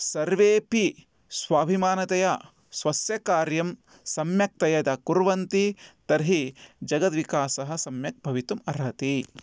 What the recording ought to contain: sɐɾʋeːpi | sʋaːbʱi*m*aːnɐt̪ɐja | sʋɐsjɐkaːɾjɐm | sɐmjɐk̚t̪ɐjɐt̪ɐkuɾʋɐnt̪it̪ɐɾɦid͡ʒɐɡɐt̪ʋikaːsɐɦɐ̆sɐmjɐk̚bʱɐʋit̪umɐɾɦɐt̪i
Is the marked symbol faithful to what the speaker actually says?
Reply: yes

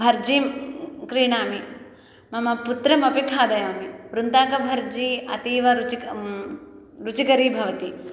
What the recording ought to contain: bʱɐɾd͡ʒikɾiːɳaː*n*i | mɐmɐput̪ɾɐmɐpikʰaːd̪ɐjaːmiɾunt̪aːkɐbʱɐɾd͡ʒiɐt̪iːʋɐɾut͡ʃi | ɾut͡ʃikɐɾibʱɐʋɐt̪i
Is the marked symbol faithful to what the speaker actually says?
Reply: no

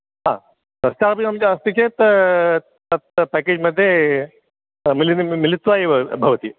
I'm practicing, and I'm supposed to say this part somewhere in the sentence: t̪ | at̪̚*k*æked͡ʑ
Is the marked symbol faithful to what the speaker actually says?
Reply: no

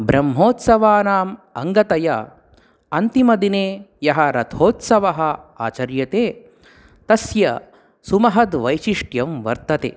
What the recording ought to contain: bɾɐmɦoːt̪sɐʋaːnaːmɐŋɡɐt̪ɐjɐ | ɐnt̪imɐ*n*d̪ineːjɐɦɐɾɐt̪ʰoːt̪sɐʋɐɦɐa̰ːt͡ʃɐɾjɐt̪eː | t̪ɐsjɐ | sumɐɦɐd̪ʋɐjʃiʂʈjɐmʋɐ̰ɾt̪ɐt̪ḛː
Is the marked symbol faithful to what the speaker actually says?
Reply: no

